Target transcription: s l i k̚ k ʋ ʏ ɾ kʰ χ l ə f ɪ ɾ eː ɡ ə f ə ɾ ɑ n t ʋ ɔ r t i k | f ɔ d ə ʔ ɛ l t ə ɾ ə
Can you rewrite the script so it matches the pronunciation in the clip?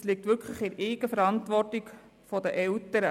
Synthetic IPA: s l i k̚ t ʋ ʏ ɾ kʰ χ l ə χ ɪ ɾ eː ɡ ə f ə ɾ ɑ n t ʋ ɔ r t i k | f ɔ d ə ʔ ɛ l t ə ɾ ə